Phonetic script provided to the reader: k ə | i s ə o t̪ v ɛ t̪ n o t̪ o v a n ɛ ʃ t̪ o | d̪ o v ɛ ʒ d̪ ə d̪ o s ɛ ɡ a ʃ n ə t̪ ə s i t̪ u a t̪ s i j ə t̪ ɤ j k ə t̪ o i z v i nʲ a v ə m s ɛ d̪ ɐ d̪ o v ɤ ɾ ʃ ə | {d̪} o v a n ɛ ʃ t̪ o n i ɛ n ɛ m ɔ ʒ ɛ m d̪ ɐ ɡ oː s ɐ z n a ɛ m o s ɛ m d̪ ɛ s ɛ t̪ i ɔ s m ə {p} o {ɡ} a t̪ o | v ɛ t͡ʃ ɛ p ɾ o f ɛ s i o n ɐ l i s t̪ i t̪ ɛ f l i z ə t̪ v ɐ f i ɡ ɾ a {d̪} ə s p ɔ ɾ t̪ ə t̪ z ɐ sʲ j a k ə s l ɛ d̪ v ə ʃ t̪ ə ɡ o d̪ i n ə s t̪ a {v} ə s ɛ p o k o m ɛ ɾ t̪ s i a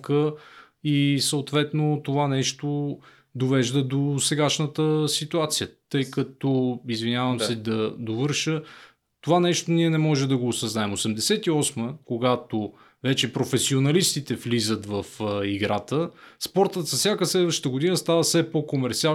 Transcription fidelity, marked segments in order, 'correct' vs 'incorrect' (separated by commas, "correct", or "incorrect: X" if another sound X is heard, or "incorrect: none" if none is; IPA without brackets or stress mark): incorrect: t̪, incorrect: k, correct, incorrect: t̪, correct